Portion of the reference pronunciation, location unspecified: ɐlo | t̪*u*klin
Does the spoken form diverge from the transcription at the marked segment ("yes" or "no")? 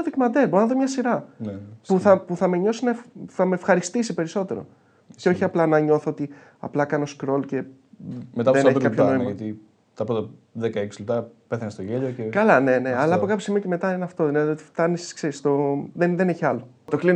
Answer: yes